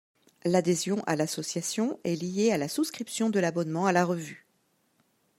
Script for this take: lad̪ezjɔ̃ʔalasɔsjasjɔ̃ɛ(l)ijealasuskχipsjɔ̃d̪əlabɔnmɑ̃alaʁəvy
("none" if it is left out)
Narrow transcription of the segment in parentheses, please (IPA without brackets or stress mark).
l